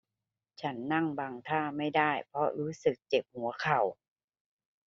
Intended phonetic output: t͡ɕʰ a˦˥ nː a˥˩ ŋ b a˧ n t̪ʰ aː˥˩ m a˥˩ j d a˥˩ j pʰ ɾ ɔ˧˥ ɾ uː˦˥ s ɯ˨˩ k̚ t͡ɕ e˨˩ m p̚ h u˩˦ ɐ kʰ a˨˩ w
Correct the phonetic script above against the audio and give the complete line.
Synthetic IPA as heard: t͡ɕʰ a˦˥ nː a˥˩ ŋ b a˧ ŋ t̪ʰ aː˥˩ m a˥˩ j d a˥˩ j pʰ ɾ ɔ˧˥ ɾ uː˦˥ s ɯ˨˩ k̚ t͡ɕ e˨˩ p̚ h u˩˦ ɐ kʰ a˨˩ w